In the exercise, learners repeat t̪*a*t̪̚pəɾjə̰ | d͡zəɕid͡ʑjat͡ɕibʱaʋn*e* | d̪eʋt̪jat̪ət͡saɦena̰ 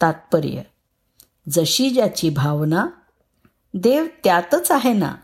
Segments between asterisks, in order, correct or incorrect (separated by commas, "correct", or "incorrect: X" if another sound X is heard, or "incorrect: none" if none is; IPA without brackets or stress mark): correct, incorrect: a